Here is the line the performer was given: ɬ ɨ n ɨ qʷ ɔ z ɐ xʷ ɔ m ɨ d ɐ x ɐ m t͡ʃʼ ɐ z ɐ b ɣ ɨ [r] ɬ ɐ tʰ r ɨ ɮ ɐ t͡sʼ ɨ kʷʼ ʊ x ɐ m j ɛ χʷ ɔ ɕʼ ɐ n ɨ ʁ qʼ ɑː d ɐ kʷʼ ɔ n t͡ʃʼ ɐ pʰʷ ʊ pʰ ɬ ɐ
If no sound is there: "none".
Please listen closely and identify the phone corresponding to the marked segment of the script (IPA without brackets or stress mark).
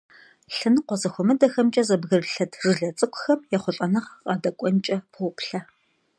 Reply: r